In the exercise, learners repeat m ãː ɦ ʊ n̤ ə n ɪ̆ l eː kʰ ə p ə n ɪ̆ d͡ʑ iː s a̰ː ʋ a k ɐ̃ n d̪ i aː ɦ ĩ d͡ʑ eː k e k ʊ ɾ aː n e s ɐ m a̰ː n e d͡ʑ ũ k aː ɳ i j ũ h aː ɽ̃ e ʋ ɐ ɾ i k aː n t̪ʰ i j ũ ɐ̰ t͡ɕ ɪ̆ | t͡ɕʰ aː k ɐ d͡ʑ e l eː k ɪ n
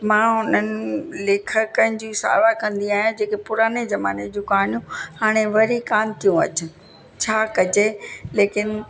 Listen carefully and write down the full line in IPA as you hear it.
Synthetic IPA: m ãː ɦ ʊ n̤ ə n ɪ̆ l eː kʰ ə k ə n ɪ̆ d͡ʑ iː s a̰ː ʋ a k ɐ̃ n d̪ i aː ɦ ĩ d͡ʑ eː k e p ʊ ɾ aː n e z ɐ m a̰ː n e d͡ʑ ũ k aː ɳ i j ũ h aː ɽ̃ e ʋ ɐ ɾ i k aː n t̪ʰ i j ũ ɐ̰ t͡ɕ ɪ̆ | t͡ɕʰ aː k ɐ d͡ʑ e l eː k ɪ n